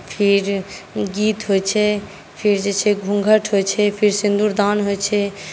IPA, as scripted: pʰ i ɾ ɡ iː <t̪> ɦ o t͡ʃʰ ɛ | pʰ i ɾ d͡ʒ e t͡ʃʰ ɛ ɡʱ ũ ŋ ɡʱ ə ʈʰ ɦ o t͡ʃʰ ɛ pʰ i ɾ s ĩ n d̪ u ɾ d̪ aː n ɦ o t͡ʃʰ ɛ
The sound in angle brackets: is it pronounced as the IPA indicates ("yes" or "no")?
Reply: yes